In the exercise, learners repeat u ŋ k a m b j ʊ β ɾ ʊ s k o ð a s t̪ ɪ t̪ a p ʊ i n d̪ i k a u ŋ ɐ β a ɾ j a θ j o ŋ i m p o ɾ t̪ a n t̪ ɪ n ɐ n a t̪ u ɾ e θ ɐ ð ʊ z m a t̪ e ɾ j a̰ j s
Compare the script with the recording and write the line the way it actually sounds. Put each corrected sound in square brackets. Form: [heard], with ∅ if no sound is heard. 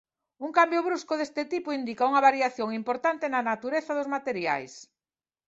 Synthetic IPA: u ŋ k a m b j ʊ β ɾ [u] s k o ð [e] s t̪ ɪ t̪ [i] p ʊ i n d̪ i k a u ŋ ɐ β a ɾ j a θ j o ŋ i m p o ɾ t̪ a n t̪ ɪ n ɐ n a t̪ u ɾ e θ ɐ ð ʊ z m a t̪ e ɾ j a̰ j s

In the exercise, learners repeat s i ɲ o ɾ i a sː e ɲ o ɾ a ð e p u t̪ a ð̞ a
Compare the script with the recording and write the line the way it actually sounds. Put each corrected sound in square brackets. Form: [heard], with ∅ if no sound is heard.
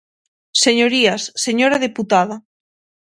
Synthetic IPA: s [e] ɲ o ɾ i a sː e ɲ o ɾ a ð e p u t̪ a ð̞ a

